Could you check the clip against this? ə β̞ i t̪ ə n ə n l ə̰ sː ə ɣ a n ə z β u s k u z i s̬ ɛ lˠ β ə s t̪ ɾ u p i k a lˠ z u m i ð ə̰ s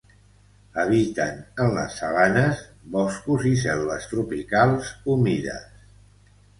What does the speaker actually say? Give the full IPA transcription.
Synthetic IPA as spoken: ə β̞ i t̪ ə n ə n l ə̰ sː ə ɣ a n ə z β ɔ s k u z i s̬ ɛ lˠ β ə s t̪ ɾ u p i k a lˠ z u m i ð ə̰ s